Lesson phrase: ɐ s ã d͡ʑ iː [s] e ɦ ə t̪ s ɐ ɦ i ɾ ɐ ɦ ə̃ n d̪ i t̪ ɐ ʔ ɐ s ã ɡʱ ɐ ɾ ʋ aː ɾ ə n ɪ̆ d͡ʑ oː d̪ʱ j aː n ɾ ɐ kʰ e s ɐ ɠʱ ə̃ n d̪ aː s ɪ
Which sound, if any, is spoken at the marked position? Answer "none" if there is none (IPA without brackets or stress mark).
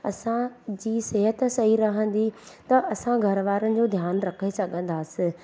s